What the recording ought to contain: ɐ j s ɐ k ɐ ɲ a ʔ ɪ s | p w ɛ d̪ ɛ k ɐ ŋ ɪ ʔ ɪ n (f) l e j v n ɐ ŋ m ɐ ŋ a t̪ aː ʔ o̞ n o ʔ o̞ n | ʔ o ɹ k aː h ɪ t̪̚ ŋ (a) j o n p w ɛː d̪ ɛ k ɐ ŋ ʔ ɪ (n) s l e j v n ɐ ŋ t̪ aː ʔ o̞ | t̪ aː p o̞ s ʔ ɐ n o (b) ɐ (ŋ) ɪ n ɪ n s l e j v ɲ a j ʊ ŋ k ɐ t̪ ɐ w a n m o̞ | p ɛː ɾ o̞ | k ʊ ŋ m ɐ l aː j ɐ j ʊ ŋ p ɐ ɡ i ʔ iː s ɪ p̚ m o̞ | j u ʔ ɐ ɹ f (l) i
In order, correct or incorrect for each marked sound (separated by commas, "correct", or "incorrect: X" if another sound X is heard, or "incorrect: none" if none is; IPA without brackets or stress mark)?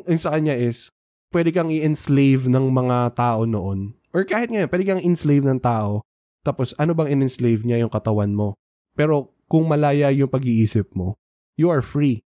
incorrect: s, incorrect: ɐ, correct, correct, correct, incorrect: ɹ